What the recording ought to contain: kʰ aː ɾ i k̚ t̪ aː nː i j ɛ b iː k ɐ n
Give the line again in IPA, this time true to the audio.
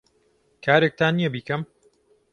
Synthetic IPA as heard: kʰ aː ɾ e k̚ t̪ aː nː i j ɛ b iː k ɐ m